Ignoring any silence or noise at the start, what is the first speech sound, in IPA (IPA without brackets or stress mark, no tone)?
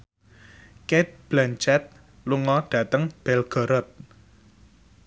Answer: k